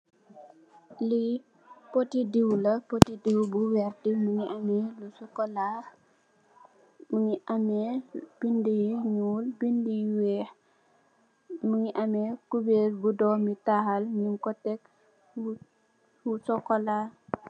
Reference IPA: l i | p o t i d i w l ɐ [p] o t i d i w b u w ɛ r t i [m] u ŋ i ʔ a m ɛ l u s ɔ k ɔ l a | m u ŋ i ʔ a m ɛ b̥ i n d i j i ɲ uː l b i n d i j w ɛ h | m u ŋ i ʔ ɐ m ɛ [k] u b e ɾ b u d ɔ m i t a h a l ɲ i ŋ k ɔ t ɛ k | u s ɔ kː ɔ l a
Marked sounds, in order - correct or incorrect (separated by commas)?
correct, correct, correct